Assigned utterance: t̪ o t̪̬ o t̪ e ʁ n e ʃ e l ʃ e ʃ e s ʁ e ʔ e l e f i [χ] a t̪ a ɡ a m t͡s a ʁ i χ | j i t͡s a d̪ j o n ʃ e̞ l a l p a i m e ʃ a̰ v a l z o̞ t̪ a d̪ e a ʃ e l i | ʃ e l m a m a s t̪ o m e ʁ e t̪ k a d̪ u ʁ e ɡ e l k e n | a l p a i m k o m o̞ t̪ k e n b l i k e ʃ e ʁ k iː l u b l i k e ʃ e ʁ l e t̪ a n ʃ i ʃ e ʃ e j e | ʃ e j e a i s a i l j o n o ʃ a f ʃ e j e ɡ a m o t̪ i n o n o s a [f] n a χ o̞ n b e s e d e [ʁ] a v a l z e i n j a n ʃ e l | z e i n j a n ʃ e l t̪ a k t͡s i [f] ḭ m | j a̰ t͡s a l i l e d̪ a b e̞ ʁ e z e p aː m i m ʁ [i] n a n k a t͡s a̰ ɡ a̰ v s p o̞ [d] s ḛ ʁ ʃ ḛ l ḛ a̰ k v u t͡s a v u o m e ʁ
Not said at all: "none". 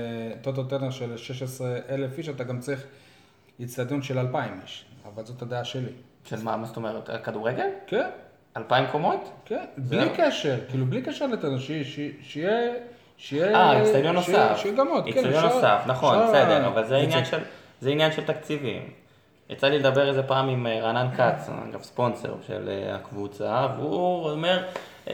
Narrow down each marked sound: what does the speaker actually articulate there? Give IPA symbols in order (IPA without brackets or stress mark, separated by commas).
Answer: ʃ, f, ʁ, v, a, n